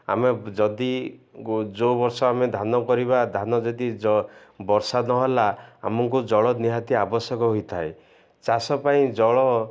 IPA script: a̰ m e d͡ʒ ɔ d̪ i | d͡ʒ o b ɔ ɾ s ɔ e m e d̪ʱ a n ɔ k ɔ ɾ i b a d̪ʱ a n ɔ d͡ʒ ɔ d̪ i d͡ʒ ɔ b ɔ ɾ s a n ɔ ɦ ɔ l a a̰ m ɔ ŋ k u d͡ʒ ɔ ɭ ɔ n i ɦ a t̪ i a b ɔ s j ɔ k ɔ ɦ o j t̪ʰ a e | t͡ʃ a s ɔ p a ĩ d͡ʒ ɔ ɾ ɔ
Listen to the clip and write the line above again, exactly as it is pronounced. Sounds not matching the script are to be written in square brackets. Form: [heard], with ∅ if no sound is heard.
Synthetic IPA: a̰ m e d͡ʒ ɔ d̪ i | d͡ʒ o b ɔ ɾ s ɔ [a] m e d̪ʱ a n ɔ k ɔ ɾ i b a d̪ʱ a n ɔ d͡ʒ ɔ d̪ i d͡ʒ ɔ b ɔ ɾ s a n ɔ ɦ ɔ l a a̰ m ɔ ŋ k u d͡ʒ ɔ ɭ ɔ n i ɦ a t̪ i a b ɔ s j ɔ k ɔ ɦ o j t̪ʰ a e | t͡ʃ a s ɔ p a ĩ d͡ʒ ɔ [ɭ] ɔ